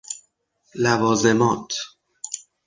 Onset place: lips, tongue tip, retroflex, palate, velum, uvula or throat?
tongue tip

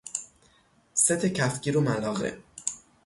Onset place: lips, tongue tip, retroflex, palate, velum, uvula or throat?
tongue tip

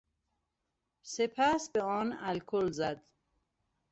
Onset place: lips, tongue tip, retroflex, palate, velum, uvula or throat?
tongue tip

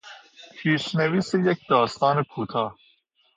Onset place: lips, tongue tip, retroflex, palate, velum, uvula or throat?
lips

